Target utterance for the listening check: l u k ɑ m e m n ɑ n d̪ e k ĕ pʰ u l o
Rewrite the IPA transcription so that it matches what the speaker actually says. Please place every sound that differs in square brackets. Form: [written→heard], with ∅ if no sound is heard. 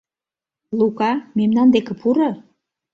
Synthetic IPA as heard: l u k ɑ m e m n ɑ n d̪ e k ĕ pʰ u [l→ɾ] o